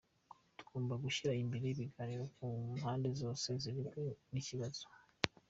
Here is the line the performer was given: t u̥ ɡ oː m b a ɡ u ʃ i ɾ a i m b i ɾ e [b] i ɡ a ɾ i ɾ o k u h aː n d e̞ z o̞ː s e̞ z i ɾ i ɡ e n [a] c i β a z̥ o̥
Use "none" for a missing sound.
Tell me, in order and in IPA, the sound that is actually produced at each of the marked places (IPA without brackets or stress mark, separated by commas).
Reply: β, i